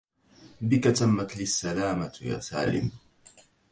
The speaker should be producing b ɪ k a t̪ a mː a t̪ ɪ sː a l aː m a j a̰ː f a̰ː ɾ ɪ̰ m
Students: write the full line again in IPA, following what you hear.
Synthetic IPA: b ɪ k a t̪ a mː a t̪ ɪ sː a l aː m a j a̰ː s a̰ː l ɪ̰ m